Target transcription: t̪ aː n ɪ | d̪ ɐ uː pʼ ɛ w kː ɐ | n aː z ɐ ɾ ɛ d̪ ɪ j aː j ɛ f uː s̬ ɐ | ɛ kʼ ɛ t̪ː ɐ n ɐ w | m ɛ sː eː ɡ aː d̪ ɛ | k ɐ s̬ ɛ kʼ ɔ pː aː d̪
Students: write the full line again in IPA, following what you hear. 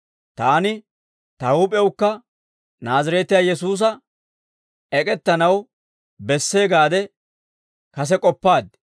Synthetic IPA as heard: t̪ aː n ɪ | t̪ ɐ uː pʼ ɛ w kː ɐ | n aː z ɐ ɾ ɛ t̪ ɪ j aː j ɛ s uː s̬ ɐ | ɛ kʼ ɛ t̪ː ɐ n ɐ w | b ɛ sː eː ɡ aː d̪ ɛ | k ɐ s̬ ɛ kʼ ɔ pː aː d̪